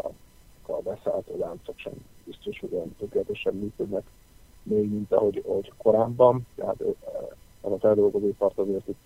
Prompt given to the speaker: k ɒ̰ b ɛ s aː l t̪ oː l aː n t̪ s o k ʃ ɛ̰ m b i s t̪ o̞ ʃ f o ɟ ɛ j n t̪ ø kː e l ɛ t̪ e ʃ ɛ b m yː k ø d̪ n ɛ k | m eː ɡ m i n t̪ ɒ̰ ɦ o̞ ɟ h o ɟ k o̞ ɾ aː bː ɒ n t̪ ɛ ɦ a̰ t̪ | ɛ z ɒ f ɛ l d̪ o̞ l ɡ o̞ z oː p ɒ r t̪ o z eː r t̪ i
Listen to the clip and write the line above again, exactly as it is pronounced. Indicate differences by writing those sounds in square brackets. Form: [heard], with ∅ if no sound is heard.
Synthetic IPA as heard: k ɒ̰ b ɛ s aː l t̪ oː l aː n t̪ s o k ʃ ɛ̰ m b i s t̪ o̞ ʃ [h] o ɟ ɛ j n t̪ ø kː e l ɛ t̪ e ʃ ɛ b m yː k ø d̪ n ɛ k | m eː ɡ m i n t̪ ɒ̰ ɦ o̞ ɟ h o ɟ k o̞ ɾ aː bː ɒ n t̪ ɛ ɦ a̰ t̪ | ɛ z ɒ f ɛ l d̪ o̞ l ɡ o̞ z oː p ɒ r t̪ [ɒ] z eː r t̪ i